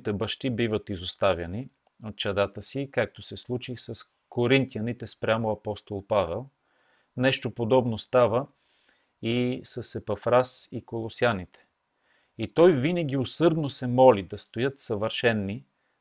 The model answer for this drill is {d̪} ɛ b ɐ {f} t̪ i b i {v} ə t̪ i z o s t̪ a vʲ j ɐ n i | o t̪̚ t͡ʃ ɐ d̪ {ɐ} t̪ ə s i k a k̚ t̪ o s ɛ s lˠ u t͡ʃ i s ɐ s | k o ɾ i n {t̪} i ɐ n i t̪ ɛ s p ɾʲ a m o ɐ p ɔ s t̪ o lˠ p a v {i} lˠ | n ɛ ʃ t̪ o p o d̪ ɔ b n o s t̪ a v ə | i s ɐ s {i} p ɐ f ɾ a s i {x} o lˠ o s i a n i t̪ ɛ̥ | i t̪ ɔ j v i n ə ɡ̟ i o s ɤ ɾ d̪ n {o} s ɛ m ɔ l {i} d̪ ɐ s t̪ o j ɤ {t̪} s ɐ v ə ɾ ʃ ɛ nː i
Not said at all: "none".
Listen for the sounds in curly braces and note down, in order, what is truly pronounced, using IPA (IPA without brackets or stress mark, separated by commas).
t̪, ʃ, v, a, t̪, ɛ, ɛ, k, o, i, t̪